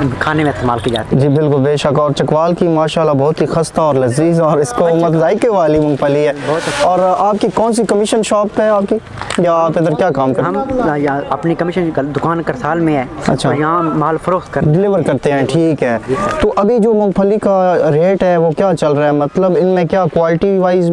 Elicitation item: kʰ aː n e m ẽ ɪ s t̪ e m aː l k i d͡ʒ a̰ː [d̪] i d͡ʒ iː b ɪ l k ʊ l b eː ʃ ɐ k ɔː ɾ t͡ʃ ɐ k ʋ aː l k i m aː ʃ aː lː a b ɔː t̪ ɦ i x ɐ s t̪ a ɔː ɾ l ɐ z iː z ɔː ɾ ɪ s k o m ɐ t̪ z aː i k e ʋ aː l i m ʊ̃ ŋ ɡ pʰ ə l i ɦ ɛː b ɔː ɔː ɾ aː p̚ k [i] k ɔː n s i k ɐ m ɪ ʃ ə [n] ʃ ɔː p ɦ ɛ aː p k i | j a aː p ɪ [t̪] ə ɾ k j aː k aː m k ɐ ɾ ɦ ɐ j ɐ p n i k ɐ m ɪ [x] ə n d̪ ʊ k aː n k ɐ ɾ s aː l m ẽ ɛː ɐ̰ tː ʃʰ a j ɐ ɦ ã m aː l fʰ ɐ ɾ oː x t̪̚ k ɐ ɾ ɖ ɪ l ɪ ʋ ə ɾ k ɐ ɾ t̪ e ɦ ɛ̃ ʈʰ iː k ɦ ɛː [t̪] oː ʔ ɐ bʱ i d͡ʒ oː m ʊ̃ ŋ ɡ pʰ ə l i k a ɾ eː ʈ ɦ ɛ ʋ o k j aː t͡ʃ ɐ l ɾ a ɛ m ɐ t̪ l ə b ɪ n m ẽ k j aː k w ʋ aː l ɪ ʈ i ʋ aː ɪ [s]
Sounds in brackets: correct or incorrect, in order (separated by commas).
incorrect, correct, correct, incorrect, incorrect, correct, incorrect